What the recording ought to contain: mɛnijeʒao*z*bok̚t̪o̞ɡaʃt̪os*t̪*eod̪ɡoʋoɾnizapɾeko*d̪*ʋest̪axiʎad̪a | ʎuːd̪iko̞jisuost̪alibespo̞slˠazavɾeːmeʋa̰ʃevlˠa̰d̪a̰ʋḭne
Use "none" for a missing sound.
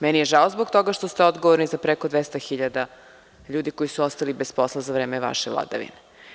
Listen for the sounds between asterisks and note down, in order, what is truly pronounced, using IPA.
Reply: z, t̪, d̪

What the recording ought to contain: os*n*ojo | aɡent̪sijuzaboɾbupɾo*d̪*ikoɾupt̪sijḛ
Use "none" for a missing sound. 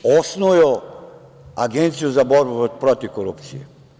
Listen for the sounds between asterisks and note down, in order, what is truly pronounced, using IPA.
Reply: n, t̪

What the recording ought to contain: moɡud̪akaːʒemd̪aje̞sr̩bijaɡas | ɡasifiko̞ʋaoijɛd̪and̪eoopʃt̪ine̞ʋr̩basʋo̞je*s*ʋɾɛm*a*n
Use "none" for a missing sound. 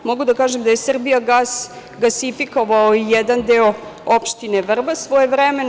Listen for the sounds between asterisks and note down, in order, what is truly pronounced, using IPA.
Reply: none, e

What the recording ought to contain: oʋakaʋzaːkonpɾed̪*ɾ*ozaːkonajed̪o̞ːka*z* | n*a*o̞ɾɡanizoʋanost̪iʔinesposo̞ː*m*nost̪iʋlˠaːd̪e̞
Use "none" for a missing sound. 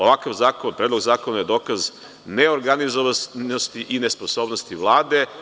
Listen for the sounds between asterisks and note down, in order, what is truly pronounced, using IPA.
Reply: l, z, e, b

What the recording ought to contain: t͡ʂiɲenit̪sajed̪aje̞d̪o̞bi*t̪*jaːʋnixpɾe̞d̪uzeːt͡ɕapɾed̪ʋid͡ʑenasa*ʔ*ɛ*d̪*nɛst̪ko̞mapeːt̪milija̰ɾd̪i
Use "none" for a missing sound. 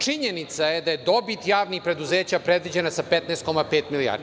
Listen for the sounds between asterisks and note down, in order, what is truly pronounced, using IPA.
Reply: t̪, p, t̪

